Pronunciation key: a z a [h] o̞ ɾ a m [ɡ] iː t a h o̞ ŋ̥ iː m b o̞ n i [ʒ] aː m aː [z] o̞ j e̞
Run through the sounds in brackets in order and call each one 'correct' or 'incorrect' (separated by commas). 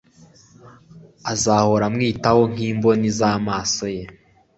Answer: correct, incorrect, incorrect, incorrect